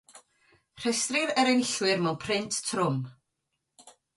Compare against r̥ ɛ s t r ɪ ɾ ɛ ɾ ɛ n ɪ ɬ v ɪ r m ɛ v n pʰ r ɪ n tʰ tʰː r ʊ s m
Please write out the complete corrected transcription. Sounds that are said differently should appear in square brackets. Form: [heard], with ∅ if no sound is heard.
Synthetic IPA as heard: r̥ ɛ s t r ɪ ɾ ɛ ɾ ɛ n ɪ ɬ [w] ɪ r m ɛ [w] n pʰ r ɪ n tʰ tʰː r ʊ [∅] m